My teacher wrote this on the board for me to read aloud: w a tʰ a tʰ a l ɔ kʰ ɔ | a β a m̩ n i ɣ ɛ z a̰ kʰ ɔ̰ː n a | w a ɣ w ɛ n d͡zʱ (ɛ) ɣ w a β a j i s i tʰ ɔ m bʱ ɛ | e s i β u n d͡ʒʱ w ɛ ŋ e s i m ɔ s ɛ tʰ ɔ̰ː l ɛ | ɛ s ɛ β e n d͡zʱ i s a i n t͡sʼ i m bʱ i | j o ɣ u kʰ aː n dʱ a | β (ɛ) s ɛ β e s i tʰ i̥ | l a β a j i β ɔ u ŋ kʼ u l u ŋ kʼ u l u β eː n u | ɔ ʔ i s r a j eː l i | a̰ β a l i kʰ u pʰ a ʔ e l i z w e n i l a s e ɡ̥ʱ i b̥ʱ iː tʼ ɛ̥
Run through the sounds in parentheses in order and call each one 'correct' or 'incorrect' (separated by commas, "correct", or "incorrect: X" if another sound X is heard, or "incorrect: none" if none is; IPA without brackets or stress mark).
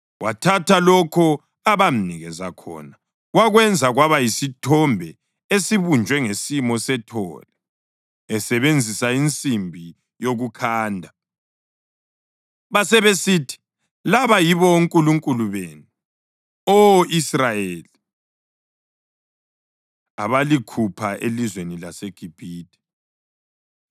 incorrect: a, incorrect: a